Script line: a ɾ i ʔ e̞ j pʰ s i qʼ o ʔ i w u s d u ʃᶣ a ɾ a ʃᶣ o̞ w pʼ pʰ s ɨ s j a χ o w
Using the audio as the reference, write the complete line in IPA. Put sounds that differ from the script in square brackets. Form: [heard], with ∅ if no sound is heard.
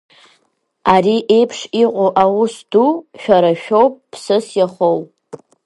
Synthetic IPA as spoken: a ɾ i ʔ e̞ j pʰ [ʂ] i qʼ o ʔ [a] w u s d u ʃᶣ a ɾ a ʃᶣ o̞ w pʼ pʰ s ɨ s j a χ o w